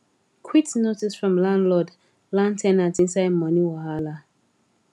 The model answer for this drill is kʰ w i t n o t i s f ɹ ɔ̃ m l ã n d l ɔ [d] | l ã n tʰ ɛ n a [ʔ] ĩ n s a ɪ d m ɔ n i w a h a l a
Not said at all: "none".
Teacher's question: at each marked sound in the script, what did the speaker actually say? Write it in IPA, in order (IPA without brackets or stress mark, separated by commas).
d, t